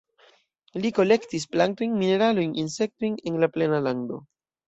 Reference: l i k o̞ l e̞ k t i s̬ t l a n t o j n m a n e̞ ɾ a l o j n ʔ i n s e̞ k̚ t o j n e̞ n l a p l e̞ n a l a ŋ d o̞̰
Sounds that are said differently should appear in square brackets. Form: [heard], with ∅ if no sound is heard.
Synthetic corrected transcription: l i k o̞ l e̞ k t i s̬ [p] l a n t o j n m [i] n e̞ ɾ a l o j n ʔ i n s e̞ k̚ t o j n e̞ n l a p l e̞ n a l a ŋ d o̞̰